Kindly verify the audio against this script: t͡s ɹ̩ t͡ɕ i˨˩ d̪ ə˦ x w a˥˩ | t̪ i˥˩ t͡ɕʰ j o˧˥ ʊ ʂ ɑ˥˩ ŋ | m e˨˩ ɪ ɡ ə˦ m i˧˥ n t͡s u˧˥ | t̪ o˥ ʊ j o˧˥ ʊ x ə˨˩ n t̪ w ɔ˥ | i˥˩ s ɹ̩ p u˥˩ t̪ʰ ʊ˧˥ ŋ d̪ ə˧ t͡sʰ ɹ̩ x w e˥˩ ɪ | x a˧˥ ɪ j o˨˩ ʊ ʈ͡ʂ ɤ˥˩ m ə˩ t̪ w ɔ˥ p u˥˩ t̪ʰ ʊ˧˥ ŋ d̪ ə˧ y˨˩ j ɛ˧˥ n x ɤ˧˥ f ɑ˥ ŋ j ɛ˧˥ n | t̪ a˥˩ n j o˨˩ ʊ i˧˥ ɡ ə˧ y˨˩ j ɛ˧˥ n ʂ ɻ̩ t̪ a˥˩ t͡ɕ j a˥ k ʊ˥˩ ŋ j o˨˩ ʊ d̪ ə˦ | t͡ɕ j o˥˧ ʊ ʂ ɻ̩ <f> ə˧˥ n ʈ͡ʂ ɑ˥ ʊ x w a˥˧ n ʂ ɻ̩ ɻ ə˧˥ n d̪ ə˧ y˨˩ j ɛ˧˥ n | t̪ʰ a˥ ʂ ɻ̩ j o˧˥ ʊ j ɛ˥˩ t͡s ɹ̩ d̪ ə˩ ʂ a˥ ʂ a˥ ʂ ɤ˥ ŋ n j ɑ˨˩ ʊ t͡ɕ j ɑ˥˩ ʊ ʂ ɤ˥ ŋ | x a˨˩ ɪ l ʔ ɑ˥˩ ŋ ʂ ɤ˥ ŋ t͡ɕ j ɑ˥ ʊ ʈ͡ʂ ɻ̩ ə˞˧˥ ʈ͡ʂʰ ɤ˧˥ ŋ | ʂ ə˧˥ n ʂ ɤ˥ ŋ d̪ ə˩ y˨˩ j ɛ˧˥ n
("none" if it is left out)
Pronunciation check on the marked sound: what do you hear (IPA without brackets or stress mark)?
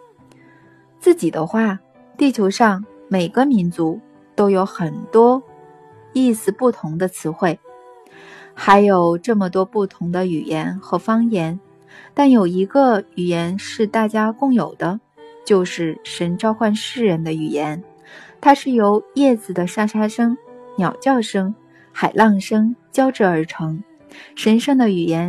ʂ